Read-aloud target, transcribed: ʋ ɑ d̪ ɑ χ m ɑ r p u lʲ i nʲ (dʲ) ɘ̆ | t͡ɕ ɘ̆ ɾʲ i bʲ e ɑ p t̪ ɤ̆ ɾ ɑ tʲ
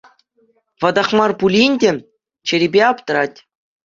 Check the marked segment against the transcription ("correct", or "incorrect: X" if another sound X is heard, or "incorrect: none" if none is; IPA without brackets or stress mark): correct